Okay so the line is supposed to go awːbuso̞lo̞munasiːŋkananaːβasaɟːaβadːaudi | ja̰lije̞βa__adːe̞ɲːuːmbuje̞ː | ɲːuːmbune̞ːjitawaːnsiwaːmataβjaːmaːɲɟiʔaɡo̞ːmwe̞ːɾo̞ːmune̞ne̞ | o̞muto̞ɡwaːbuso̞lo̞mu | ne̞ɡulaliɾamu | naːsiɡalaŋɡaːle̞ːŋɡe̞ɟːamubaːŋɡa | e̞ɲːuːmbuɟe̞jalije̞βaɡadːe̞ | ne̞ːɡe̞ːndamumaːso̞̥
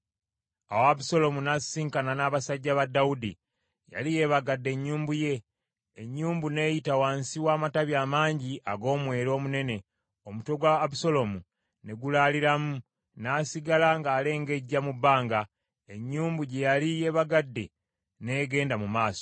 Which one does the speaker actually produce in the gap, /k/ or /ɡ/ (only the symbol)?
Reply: ɡ